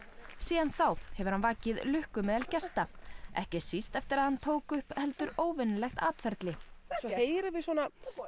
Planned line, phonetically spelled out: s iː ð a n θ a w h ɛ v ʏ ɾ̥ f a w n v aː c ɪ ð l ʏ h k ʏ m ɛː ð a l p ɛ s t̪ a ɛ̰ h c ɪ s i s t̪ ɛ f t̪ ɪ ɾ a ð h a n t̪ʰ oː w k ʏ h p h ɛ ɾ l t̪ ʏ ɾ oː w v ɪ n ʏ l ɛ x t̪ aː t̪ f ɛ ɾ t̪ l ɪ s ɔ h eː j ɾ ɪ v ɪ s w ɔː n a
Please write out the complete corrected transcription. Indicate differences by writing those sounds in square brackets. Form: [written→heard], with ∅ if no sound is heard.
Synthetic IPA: s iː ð a n θ a w h ɛ v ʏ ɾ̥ [f→h] a [w→∅] n v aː c ɪ ð l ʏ h k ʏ m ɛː ð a l [p→c] ɛ s t̪ a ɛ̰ h c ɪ s i s t̪ ɛ f t̪ ɪ ɾ a ð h a n t̪ʰ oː w k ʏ h p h ɛ [ɾ→∅] l t̪ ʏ ɾ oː w v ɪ n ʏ l ɛ x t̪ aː t̪ f ɛ ɾ t̪ l ɪ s ɔ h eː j ɾ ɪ v ɪ s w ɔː n a